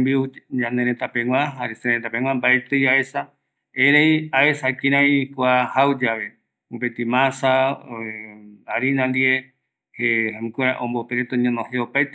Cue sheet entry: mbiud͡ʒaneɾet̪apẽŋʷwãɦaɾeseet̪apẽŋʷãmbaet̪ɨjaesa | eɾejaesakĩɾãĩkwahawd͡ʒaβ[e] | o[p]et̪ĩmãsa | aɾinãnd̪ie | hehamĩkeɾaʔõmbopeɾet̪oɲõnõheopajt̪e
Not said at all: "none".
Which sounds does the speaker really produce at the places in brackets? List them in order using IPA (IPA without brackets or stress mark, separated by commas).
e, p